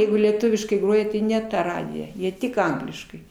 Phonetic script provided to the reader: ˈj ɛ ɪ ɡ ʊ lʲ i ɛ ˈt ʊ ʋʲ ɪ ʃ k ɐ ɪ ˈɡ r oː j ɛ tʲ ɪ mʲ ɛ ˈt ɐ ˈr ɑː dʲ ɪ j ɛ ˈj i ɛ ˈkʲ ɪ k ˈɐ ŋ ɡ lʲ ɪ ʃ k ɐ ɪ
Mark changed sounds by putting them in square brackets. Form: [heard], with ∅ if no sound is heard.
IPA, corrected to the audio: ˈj ɛ ɪ ɡ ʊ lʲ i ɛ ˈt ʊ ʋʲ ɪ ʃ k ɐ ɪ ˈɡ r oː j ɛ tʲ ɪ [nʲ] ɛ ˈt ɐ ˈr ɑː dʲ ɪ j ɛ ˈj i ɛ [ˈtʲ] ɪ k ˈɐ ŋ ɡ lʲ ɪ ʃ k ɐ ɪ